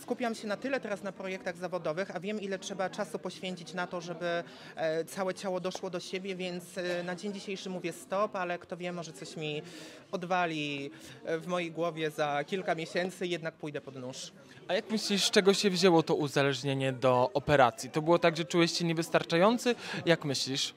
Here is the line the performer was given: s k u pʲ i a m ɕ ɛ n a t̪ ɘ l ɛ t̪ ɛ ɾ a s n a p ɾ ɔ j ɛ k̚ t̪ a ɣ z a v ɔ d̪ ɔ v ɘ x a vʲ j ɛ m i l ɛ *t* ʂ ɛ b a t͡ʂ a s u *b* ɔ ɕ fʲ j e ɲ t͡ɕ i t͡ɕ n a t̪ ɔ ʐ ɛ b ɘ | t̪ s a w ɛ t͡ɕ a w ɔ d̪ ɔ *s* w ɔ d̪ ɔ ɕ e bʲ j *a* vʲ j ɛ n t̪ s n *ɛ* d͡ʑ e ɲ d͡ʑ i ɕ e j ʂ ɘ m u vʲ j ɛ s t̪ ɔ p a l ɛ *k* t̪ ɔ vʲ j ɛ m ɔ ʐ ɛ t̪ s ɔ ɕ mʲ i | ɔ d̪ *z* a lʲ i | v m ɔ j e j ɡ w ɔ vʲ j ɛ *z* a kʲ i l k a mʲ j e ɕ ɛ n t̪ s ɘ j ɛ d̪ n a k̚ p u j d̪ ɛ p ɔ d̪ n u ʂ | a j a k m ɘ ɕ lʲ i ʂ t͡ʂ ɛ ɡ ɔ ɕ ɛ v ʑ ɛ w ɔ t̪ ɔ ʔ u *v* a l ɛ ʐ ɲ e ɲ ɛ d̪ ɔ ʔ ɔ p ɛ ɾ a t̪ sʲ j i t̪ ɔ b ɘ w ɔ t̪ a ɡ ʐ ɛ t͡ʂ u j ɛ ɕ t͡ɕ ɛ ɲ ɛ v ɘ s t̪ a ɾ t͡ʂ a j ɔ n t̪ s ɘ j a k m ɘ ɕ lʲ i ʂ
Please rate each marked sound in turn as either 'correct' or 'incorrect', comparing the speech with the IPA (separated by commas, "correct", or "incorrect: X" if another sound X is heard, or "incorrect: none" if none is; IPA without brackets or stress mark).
correct, incorrect: p, incorrect: ʂ, incorrect: ɛ, incorrect: a, correct, incorrect: v, correct, incorrect: z